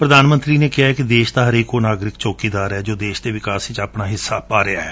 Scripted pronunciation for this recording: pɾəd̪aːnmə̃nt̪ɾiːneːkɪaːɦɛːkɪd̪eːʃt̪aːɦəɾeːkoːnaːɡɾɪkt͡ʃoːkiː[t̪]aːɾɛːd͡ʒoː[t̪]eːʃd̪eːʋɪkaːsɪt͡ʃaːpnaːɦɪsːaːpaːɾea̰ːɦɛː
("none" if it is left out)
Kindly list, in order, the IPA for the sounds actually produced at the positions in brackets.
d̪, d̪

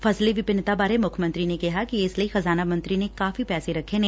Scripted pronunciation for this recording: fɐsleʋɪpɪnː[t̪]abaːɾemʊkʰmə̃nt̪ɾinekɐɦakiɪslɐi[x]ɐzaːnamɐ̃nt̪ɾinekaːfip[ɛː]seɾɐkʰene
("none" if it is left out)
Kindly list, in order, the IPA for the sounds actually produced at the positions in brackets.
t̪, x, ɛː

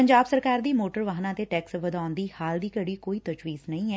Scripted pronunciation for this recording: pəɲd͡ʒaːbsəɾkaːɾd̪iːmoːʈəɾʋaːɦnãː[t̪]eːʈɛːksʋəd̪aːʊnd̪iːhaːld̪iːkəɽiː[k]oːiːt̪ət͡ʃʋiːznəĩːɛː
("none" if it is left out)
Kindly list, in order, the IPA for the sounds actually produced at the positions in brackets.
t̪, k

